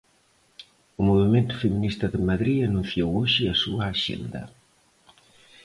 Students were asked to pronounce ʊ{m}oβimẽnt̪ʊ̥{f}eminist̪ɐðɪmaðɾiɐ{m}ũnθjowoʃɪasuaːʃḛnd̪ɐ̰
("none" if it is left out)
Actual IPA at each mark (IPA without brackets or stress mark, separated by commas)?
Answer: m, f, n